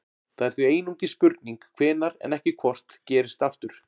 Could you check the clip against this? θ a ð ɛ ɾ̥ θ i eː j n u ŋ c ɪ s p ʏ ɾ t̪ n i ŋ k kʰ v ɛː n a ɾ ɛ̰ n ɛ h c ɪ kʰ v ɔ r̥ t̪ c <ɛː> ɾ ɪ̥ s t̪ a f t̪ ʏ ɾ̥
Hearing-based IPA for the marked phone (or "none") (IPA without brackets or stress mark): ɛː